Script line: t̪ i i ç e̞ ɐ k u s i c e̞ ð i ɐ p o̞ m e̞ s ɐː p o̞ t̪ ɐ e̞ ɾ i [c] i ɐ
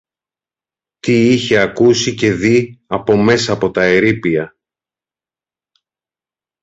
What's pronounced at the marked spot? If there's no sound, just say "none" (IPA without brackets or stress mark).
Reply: p